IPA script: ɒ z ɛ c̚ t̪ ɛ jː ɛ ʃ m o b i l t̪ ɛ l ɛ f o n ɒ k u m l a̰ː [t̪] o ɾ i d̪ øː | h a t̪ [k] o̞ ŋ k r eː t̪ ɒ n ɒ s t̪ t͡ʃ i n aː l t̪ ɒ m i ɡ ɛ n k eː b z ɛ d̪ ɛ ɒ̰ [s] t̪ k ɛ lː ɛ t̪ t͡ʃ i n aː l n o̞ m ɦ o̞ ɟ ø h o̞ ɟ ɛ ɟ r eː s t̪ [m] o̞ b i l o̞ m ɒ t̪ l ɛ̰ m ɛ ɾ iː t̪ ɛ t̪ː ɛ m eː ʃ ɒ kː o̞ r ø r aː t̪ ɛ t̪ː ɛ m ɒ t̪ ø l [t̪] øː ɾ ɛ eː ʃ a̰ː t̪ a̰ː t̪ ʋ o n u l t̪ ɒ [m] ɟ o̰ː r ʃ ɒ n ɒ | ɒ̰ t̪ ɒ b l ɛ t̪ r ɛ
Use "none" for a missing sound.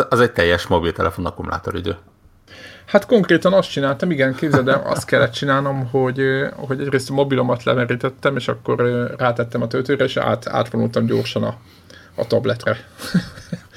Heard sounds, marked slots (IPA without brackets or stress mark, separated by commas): t̪, k, s, m, t̪, m